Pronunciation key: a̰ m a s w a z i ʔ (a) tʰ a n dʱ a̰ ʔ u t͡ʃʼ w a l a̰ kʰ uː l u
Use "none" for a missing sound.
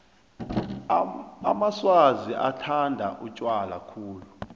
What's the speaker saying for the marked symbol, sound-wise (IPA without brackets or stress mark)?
a